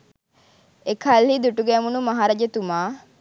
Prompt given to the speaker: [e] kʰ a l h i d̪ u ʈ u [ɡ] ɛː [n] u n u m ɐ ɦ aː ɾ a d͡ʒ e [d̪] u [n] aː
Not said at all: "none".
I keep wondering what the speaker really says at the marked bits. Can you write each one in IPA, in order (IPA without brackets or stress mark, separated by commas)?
e, ɡ, m, t̪, m